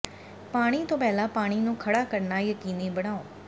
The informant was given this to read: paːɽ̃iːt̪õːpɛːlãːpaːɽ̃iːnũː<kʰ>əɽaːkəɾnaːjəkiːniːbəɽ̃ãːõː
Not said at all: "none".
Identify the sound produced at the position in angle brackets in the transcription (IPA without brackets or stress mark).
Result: kʰ